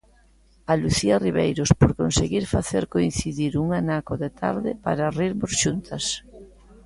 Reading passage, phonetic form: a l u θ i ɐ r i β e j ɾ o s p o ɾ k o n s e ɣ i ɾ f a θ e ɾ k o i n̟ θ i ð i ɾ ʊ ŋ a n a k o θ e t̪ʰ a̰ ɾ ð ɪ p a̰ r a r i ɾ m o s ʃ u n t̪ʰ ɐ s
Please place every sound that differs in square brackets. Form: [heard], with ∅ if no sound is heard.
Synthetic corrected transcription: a l u θ i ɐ r i β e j ɾ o s p o ɾ k o n s e ɣ i ɾ f a θ e ɾ k o i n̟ θ i ð i ɾ [u] ŋ a n a k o [ð] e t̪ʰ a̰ ɾ ð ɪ p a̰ [ɾ] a r i ɾ m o s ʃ u n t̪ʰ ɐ s